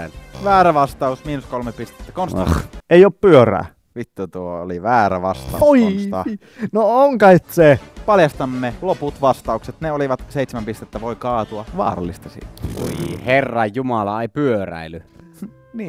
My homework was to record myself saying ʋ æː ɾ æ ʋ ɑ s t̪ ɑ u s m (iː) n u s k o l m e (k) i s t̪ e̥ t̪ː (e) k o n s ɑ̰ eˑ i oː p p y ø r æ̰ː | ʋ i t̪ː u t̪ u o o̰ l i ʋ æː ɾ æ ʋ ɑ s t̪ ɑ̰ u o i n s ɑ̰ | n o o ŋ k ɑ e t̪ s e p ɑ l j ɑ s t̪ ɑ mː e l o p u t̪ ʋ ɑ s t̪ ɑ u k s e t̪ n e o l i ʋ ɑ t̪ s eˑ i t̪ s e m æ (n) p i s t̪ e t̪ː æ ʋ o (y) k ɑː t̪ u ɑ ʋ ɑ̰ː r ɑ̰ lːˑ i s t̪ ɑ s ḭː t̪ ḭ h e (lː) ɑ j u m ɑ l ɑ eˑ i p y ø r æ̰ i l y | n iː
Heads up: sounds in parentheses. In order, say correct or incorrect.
correct, incorrect, incorrect, incorrect, incorrect, incorrect

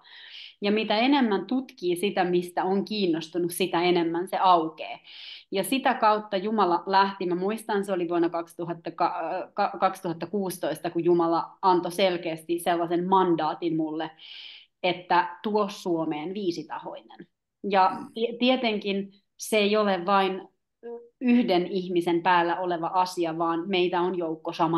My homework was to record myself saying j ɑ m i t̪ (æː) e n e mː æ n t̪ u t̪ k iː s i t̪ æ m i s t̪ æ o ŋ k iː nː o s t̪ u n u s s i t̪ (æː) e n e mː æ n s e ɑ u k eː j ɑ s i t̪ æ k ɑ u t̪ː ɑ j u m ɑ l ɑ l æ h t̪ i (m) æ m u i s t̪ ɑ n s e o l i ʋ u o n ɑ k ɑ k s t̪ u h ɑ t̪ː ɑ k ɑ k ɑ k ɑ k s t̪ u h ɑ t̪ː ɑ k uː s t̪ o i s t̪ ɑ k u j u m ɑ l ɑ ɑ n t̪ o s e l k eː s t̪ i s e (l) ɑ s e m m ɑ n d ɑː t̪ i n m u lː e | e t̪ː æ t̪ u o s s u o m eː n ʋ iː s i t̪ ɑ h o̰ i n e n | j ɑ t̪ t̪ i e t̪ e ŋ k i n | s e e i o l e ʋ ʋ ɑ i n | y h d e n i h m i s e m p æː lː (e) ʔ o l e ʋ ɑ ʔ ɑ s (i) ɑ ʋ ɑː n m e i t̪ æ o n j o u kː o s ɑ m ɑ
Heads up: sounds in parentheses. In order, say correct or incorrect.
incorrect, incorrect, correct, incorrect, incorrect, correct

